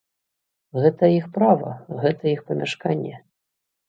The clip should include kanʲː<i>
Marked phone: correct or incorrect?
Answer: incorrect